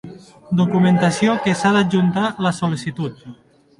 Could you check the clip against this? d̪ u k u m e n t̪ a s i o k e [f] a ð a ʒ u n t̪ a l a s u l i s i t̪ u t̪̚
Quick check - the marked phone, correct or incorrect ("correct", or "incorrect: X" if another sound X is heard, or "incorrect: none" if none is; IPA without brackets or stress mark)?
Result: incorrect: s